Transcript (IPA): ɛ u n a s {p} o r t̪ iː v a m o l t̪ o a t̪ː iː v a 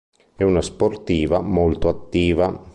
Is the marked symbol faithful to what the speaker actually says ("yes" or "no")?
yes